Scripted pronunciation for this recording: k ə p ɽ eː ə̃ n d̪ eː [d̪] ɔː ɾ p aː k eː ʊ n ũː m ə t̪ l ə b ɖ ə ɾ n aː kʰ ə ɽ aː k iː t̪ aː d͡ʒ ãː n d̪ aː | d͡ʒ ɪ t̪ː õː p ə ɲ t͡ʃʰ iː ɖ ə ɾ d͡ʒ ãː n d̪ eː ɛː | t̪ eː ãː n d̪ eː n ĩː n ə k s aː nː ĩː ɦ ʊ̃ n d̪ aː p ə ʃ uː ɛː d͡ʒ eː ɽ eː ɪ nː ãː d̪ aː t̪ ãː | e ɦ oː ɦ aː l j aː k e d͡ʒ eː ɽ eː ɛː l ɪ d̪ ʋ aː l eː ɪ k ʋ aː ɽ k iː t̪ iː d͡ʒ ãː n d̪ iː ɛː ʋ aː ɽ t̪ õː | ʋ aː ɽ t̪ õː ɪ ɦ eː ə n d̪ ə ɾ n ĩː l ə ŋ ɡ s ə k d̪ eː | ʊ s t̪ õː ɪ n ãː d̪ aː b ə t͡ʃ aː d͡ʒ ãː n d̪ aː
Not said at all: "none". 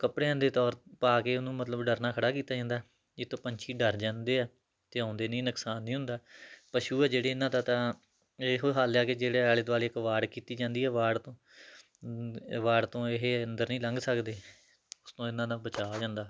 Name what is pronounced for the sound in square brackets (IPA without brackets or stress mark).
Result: t̪